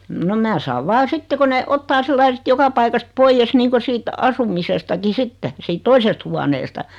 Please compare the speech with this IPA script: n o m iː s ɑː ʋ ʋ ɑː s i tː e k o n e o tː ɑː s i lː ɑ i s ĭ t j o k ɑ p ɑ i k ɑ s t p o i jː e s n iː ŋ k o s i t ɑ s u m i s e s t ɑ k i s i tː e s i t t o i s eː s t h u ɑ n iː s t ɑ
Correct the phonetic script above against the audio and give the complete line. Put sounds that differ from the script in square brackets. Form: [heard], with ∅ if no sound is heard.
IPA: n o m [æː] s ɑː ʋ ʋ ɑː s i tː e k o n e o tː ɑː s i lː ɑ i s ĭ t j o k ɑ p ɑ i k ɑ s t p o i jː e s n iː ŋ k o s [iː] t ɑ s u m i s e s t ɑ k i s i tː e s [iː] t t o i s [e] s t h u ɑ n [eː] s t ɑ